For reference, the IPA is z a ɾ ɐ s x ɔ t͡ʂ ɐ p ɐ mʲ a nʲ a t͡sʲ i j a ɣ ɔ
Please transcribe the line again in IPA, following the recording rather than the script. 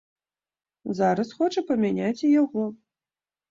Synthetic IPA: z a ɾ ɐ s x ɔ t͡ʂ ɐ p ɐ mʲ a nʲ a t͡sʲ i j a ɣ ɔ